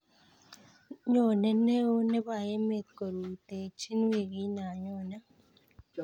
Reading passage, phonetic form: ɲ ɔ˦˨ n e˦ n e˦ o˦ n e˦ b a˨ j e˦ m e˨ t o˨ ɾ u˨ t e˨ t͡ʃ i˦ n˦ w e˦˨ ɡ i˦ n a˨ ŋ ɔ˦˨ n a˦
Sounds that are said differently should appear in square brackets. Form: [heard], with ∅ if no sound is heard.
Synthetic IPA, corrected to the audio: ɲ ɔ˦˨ n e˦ n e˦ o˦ n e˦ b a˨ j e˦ m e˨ [k] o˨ ɾ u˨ t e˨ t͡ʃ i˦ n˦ w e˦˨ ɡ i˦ n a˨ [ɲ] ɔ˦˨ n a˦

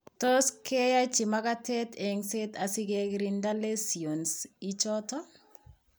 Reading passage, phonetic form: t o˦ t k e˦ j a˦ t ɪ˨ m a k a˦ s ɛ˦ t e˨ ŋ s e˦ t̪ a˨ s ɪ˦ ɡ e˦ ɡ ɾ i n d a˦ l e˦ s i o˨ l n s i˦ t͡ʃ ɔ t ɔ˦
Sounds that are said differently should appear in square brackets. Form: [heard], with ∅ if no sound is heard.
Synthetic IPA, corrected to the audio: t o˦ [s] k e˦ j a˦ [t͡ʃ] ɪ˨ m a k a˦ [t] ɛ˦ t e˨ ŋ s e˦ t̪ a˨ s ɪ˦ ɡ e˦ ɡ ɾ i n d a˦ l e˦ s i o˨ [∅] n s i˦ t͡ʃ ɔ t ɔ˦

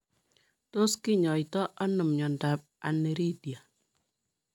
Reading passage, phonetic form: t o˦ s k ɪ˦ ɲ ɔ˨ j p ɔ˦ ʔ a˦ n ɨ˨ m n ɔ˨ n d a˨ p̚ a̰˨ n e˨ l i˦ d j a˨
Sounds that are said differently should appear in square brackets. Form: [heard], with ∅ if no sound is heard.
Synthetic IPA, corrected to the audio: t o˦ s k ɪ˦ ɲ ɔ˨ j [t] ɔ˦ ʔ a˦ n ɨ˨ m [ɲ] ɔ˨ n d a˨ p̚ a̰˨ n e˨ [ɾ] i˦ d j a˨

